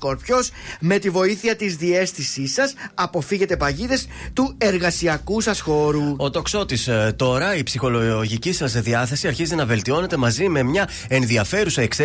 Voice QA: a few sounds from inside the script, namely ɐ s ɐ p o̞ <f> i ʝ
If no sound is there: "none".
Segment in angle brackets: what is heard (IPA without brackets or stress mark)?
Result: f